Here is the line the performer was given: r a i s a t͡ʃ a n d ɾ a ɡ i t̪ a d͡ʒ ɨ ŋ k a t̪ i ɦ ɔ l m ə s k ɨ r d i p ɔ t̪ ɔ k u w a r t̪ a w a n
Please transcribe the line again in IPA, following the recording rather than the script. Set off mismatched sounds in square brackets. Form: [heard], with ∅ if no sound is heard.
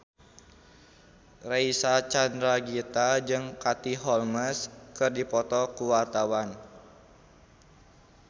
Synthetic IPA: r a i s a t͡ʃ a n d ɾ a ɡ i t̪ a d͡ʒ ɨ ŋ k a t̪ i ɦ ɔ l m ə s k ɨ r d i p ɔ t̪ ɔ k u w a r t̪ a w a n